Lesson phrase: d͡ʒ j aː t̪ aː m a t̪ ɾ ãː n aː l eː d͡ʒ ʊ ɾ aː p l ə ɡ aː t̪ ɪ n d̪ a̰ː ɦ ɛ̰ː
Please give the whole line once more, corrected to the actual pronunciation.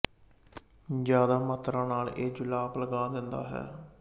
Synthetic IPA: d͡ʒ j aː d̪ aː m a t̪ ɾ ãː n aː l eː d͡ʒ ʊ l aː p l ə ɡ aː d̪ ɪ n d̪ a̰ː ɦ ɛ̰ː